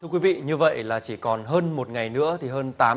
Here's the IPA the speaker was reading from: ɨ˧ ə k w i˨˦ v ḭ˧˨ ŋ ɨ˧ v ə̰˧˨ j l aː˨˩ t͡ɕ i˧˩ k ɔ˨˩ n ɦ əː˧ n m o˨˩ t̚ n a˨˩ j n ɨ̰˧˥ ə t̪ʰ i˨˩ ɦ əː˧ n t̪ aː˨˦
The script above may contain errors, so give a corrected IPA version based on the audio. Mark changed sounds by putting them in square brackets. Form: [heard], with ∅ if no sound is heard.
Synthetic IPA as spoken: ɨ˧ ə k w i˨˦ v ḭ˧˨ [ɲ] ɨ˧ v ə̰˧˨ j l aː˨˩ t͡ɕ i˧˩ k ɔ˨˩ n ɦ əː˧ n m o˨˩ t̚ [ŋ] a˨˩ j n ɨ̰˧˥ ə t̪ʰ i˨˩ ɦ əː˧ n t̪ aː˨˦